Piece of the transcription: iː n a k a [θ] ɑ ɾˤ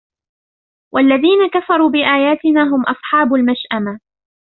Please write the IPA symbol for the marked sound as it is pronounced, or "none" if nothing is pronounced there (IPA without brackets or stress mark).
f